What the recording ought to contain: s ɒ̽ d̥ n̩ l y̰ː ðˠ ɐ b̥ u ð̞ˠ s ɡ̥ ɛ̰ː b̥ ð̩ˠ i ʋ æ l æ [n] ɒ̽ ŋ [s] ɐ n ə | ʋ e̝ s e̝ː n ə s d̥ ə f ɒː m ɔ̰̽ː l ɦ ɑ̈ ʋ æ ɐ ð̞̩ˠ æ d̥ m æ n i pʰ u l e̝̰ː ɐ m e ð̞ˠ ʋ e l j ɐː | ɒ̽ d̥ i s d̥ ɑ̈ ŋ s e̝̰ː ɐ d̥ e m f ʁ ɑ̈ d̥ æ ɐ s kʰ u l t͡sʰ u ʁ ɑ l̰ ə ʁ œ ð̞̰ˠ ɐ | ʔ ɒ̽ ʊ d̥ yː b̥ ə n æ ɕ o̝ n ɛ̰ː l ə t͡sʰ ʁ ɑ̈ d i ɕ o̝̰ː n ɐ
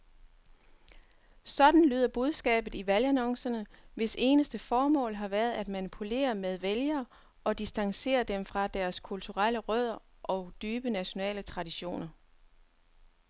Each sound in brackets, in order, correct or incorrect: correct, correct

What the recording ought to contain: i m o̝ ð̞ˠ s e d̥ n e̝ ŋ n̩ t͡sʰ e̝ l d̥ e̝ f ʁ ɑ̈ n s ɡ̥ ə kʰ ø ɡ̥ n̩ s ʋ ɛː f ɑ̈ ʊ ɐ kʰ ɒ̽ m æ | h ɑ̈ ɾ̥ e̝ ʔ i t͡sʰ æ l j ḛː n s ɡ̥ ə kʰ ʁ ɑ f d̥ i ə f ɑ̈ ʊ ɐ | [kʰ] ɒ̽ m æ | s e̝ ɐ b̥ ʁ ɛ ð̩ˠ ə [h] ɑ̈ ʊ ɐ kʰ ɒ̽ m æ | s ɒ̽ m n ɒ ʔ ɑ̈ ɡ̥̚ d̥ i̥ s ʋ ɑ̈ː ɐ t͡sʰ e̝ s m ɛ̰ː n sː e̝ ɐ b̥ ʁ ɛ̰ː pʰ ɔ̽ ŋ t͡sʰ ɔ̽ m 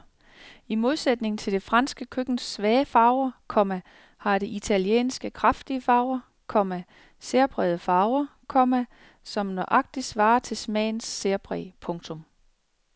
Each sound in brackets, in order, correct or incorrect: correct, incorrect

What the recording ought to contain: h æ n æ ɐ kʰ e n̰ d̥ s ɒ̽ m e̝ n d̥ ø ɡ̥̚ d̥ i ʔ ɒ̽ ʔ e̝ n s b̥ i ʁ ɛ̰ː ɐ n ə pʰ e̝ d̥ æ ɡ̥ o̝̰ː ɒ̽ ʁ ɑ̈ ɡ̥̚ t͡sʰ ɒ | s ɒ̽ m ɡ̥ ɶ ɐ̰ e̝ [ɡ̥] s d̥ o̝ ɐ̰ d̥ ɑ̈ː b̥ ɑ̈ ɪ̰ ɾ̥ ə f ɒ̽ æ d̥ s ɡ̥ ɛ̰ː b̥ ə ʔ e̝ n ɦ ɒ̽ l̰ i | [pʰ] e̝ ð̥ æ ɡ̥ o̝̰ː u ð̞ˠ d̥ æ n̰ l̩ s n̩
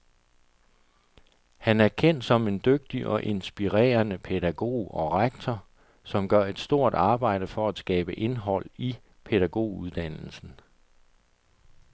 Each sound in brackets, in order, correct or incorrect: incorrect, correct

